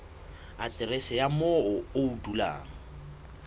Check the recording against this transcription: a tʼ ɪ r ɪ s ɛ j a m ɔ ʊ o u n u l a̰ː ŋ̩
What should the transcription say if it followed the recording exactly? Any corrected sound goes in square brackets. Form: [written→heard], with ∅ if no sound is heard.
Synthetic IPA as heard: a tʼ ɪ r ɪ s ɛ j a m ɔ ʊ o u [n→d] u l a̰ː ŋ̩